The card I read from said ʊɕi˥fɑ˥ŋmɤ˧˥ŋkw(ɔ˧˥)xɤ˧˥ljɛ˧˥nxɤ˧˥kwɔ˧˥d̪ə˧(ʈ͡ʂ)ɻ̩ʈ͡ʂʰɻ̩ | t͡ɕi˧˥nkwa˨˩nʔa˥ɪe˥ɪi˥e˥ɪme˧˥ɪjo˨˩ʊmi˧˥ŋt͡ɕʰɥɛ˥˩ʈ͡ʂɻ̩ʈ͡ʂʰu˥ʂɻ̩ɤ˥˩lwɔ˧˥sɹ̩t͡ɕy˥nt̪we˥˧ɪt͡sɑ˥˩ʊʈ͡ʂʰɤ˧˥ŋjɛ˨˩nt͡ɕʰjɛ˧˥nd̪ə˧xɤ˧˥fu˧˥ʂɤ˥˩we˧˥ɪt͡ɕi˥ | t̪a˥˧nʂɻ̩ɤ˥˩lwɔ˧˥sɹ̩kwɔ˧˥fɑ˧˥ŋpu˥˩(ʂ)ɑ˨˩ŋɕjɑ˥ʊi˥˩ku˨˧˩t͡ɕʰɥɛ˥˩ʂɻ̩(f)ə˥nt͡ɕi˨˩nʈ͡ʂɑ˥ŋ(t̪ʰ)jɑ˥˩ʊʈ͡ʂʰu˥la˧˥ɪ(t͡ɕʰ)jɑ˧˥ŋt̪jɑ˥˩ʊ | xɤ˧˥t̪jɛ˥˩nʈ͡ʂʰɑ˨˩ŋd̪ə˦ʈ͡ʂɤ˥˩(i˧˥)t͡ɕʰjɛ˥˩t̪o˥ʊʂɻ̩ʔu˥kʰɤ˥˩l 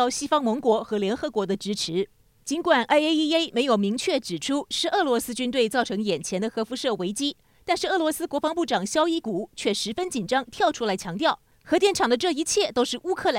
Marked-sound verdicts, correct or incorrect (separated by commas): correct, correct, incorrect, correct, correct, correct, correct